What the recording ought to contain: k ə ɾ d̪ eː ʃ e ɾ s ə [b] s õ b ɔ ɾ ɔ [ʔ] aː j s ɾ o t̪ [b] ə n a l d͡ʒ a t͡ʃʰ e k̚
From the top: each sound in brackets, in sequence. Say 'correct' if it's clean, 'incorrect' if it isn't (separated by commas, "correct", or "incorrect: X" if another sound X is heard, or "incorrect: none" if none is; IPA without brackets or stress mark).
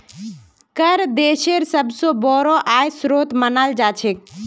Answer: correct, correct, incorrect: m